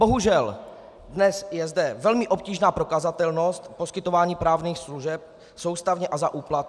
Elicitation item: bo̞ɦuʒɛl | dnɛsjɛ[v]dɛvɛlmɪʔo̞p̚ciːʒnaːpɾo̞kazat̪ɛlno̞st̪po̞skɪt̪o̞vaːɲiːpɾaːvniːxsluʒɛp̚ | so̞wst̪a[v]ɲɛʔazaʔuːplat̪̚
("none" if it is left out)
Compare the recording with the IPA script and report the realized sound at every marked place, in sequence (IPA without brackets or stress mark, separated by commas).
z, v